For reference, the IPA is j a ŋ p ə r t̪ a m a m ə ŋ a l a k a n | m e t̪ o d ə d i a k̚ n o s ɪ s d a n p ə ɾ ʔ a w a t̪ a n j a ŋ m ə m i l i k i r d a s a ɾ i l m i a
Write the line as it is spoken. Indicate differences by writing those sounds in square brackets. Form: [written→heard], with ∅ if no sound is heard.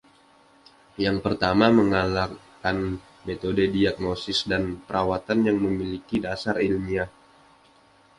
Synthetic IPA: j a ŋ p ə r t̪ a m a m ə ŋ a l a k a n | m e t̪ o d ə d i a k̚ n o s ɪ s d a n p ə ɾ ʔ a w a t̪ a n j a ŋ m ə m i l i k i [r→∅] d a s a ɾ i l m i a